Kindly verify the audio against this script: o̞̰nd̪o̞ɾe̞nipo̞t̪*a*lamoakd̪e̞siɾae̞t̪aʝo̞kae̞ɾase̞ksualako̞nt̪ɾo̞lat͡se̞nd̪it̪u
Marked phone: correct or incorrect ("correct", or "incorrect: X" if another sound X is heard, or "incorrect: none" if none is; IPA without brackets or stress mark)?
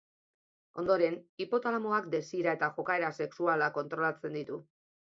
correct